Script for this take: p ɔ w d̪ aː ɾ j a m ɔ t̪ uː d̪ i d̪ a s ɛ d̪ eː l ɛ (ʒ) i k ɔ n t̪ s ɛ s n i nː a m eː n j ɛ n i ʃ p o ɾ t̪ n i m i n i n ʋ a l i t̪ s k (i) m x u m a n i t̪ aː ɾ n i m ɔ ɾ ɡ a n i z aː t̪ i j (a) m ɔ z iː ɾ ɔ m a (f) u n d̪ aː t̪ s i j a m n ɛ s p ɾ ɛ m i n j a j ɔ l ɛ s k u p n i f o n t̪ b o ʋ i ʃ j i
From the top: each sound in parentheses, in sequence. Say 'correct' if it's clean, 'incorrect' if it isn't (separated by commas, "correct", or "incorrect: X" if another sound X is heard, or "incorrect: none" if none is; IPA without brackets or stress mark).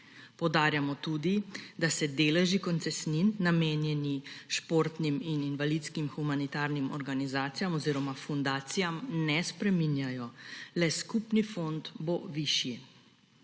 correct, correct, correct, correct